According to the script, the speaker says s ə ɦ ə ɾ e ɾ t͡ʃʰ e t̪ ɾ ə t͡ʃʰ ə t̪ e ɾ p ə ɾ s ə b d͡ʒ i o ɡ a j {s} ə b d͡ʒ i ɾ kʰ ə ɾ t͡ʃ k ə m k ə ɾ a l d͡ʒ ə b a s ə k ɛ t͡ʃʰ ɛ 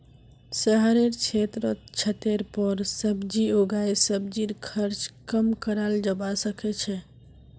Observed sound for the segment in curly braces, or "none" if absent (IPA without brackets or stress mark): s